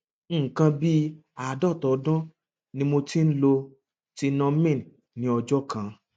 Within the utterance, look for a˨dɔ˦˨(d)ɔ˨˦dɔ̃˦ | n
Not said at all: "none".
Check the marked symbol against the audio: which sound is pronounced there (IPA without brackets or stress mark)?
t